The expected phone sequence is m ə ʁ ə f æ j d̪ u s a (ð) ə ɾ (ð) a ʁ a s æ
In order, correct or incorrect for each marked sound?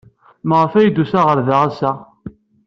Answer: incorrect: ʁ, correct

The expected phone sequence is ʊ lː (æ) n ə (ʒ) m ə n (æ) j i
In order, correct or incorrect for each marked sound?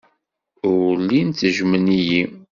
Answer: incorrect: i, correct, incorrect: i

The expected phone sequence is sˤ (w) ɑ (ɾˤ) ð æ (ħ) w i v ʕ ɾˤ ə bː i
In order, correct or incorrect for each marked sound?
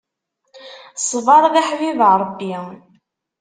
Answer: incorrect: v, correct, correct

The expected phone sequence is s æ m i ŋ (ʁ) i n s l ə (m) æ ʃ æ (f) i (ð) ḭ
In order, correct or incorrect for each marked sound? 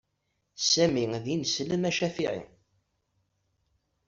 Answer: incorrect: ð, correct, correct, incorrect: ʕ

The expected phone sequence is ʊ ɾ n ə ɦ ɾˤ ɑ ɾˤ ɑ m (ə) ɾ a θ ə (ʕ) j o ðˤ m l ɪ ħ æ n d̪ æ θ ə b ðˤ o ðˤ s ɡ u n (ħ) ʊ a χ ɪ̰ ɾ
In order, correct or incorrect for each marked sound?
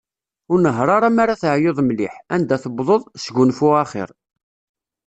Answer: incorrect: a, correct, incorrect: f

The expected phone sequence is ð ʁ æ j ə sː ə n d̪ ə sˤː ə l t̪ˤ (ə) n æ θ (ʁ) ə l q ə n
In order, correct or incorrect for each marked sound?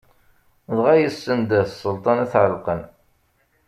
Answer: incorrect: ɑ, incorrect: ʕ

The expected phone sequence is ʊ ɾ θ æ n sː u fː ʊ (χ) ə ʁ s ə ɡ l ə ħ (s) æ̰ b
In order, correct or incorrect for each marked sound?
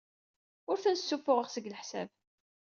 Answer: incorrect: ʁ, correct

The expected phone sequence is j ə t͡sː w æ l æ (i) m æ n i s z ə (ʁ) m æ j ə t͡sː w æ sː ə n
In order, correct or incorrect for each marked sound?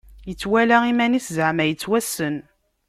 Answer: correct, incorrect: ʕ

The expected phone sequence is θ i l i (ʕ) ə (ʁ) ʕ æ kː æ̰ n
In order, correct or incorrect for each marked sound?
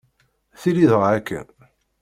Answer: incorrect: ð, correct

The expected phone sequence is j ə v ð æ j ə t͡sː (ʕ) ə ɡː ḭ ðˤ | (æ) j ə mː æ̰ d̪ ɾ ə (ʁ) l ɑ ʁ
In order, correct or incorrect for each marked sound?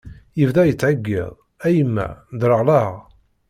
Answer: correct, correct, correct

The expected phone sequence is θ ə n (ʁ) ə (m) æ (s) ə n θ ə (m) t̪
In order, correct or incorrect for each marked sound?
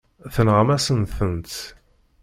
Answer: correct, correct, correct, incorrect: n

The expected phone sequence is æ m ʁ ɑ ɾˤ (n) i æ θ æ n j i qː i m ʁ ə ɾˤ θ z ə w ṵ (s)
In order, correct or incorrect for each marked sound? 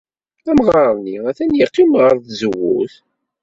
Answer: correct, incorrect: θ

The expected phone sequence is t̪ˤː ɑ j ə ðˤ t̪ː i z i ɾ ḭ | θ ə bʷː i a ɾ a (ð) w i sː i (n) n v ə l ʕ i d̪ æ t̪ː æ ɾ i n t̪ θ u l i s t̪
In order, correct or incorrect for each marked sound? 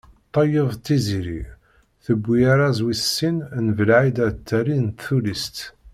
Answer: incorrect: z, correct

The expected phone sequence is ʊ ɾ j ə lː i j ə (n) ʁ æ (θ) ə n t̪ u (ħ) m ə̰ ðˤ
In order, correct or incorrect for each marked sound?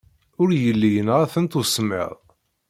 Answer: correct, correct, incorrect: s

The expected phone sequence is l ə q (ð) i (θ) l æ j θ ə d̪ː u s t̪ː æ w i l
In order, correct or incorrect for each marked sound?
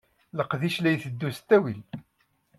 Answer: correct, incorrect: ʃ

